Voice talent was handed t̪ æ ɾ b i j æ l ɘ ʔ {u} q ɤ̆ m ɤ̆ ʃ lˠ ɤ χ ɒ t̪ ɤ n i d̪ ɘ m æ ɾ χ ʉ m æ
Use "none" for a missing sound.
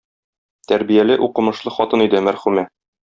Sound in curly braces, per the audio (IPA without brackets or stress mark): u